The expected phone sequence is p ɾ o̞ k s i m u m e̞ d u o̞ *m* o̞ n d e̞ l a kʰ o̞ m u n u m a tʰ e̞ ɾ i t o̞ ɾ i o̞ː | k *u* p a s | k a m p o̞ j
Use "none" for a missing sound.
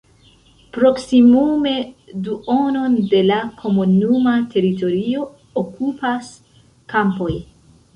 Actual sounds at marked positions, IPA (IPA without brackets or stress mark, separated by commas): n, u